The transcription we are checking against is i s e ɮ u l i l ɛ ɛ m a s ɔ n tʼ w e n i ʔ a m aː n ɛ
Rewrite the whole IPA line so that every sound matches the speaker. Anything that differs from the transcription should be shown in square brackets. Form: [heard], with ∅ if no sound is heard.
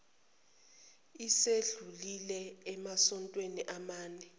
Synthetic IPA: i s e ɮ u l i l ɛ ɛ m a s ɔ n tʼ w e n i ʔ a m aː n ɛ